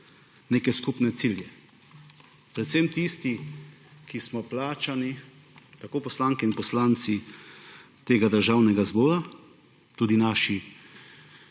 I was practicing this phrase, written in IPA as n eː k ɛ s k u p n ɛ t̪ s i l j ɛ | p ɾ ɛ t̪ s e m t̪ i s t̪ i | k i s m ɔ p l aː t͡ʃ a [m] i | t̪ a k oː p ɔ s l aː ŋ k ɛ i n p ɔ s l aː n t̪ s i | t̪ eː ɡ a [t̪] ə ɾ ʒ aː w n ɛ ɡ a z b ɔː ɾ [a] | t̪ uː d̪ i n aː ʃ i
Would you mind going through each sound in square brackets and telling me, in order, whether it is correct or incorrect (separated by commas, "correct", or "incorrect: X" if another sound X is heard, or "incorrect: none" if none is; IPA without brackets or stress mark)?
incorrect: n, incorrect: d̪, correct